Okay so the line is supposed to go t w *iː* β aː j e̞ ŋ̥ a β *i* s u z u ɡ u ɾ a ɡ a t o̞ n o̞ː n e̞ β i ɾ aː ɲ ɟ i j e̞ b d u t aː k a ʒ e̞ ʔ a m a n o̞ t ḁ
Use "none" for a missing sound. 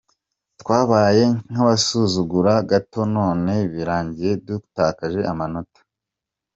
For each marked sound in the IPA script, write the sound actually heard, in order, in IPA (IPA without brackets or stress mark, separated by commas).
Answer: aː, a